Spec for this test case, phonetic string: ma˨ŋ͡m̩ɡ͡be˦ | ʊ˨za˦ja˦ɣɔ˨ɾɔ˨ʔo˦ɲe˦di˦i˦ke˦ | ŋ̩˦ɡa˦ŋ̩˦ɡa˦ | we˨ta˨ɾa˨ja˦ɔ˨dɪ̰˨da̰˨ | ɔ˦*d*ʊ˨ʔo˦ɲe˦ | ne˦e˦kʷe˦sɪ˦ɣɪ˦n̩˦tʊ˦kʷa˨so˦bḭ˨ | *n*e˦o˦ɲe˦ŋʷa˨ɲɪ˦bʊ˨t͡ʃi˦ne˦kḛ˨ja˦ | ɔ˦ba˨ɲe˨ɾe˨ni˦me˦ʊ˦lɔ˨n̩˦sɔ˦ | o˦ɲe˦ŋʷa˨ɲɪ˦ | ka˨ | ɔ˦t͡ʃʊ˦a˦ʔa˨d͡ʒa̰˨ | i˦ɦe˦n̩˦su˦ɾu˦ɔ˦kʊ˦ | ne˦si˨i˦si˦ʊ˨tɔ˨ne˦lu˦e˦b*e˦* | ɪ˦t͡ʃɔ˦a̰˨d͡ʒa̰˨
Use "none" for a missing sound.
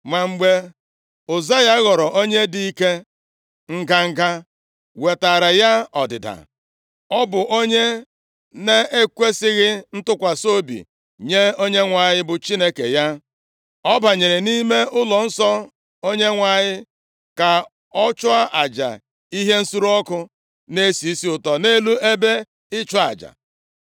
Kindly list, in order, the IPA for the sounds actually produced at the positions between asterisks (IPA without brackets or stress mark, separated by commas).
b, ɲ, e˦